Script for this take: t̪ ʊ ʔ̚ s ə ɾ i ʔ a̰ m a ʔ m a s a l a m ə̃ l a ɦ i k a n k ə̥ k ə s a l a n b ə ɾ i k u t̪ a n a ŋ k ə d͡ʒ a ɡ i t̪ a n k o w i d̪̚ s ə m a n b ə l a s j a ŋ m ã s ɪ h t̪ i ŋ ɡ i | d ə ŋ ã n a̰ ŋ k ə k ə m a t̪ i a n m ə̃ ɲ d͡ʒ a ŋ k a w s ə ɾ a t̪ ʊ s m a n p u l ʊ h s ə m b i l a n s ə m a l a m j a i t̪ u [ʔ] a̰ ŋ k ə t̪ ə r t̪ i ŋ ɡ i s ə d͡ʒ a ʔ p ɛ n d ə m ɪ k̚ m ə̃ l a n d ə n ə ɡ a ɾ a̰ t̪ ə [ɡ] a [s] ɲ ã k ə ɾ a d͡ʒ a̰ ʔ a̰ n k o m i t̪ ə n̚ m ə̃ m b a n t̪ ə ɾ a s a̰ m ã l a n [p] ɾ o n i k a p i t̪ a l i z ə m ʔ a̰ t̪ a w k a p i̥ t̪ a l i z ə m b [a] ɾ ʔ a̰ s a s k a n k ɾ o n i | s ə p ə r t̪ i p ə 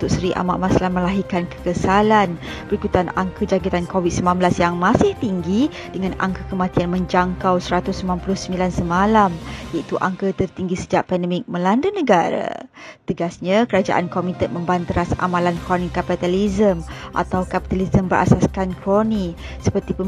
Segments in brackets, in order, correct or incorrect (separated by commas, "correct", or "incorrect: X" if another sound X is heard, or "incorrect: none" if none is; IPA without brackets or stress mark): correct, correct, correct, incorrect: k, incorrect: ə